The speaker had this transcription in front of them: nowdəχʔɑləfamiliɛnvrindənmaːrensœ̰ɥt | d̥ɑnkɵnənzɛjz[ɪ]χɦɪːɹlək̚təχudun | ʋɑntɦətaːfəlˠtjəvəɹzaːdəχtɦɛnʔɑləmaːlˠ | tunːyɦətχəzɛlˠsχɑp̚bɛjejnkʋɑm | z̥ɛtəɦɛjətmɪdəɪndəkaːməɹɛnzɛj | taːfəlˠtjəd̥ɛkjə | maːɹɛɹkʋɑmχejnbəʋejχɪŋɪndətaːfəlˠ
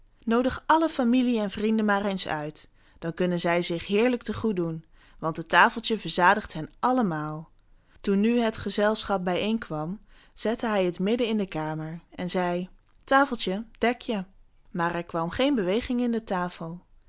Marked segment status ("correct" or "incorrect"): correct